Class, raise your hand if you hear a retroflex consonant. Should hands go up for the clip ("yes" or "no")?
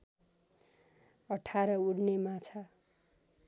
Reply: yes